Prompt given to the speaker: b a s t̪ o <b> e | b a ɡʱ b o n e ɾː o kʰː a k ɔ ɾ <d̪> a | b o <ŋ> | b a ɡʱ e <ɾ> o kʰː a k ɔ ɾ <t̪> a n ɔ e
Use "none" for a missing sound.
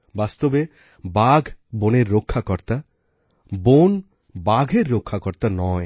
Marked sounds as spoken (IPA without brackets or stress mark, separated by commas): b, t̪, n, ɾː, t̪